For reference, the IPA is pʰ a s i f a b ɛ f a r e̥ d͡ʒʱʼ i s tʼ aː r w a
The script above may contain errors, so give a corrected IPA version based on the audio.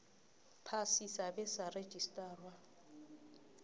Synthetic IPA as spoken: pʰ a s i s a b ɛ s a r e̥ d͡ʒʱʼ i s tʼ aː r w a